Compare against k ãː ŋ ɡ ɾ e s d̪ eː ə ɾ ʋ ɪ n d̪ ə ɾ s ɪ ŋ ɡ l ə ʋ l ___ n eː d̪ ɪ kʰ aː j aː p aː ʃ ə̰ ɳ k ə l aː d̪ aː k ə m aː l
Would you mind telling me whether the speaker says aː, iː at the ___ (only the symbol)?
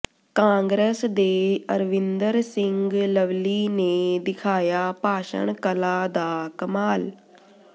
iː